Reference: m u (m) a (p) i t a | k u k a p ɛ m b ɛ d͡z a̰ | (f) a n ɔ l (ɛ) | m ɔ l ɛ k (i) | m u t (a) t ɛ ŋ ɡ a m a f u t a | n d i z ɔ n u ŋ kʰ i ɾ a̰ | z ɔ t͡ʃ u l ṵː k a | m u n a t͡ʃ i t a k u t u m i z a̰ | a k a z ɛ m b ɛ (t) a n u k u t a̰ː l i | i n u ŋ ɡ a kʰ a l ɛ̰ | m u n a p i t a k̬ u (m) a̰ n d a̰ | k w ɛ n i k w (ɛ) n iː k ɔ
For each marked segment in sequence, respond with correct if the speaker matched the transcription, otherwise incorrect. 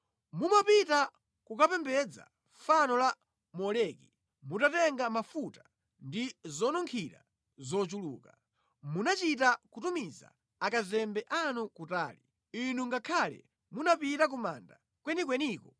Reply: correct, correct, correct, incorrect: a, correct, correct, incorrect: ʔ, correct, correct

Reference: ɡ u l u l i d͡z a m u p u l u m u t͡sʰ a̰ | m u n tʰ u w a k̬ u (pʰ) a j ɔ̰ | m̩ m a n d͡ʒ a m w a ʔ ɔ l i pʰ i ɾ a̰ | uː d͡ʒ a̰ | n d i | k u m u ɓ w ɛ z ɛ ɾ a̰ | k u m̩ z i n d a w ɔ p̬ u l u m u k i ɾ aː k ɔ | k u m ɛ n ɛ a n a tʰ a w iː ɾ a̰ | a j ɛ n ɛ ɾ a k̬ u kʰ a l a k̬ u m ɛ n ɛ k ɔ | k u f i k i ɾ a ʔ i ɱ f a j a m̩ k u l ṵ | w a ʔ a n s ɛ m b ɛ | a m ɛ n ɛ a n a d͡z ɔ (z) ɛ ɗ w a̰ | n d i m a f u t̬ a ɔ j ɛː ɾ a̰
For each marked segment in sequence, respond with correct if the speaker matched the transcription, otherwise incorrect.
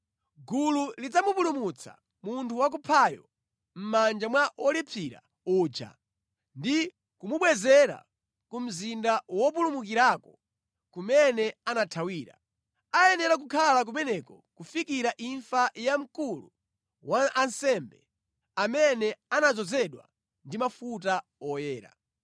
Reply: correct, correct

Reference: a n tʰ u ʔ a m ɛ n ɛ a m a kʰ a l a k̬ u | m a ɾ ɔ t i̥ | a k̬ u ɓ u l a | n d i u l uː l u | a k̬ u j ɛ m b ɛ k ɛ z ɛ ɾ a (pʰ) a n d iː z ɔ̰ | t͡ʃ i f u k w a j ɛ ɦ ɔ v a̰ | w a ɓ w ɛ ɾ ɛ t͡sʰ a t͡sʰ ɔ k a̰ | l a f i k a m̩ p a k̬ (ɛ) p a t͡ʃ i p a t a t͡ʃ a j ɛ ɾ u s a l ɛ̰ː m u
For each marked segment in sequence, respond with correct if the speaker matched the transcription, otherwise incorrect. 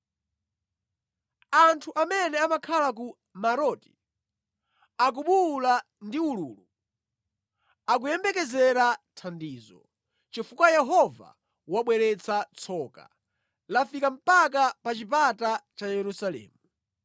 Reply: incorrect: tʰ, incorrect: a

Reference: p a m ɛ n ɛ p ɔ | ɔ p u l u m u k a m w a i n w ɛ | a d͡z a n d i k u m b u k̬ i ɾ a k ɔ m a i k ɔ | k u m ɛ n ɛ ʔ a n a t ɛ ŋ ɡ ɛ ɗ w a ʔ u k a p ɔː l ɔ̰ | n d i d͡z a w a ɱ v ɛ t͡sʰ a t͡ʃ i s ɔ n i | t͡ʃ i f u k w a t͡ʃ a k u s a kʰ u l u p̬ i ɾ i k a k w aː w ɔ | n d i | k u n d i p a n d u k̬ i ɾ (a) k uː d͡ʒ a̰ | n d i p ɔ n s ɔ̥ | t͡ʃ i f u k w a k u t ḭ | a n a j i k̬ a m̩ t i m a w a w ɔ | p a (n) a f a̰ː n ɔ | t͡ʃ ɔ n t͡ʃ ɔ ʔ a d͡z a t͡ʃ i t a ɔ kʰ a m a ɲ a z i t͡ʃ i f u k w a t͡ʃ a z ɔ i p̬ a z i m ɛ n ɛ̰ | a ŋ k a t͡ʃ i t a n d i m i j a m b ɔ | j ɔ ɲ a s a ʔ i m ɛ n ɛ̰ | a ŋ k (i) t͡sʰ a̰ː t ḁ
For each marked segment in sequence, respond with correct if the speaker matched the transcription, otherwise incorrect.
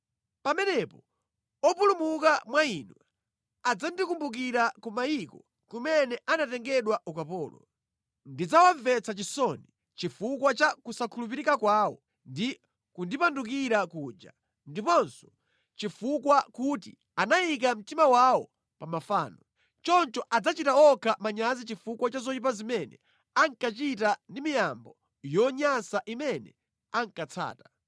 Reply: correct, incorrect: m, incorrect: a

